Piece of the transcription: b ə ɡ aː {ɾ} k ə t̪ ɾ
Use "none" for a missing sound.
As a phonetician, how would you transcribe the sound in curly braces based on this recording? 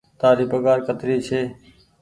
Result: ɾ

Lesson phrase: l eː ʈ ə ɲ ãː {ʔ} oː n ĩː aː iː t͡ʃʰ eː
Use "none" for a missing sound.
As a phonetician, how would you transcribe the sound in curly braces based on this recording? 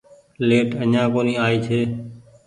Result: k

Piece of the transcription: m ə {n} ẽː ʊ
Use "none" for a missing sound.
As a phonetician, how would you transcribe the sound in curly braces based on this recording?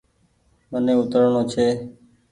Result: n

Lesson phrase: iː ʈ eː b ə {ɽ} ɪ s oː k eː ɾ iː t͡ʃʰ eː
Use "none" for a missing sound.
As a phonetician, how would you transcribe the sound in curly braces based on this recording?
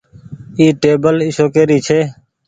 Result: l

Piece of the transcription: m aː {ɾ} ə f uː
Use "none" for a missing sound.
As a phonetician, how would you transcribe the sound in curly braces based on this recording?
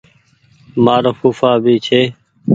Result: ɾ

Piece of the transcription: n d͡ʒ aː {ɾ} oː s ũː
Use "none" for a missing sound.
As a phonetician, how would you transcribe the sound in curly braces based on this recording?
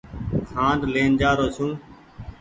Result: ɾ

